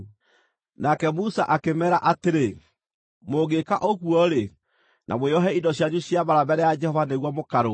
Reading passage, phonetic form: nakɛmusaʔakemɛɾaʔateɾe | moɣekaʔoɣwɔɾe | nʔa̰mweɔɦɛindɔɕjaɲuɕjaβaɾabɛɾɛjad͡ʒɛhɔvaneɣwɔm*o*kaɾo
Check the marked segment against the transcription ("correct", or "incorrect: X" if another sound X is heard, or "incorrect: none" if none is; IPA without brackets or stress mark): correct